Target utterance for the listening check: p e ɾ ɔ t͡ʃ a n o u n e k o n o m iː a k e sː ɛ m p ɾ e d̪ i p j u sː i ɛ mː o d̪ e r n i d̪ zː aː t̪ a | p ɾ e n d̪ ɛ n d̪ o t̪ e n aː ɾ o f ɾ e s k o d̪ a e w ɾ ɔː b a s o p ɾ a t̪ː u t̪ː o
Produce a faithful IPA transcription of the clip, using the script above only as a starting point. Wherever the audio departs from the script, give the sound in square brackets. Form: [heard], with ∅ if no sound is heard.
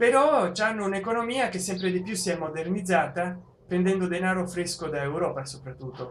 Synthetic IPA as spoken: p e ɾ ɔ t͡ʃ a [nː] o u n e k o n o m iː a k e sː ɛ m p ɾ e d̪ i p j u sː i ɛ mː o d̪ e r n i d̪ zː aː t̪ a | p ɾ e n d̪ ɛ n d̪ o [d̪] e n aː ɾ o f ɾ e s k o d̪ a e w ɾ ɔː [p] a s o p ɾ a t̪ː u t̪ː o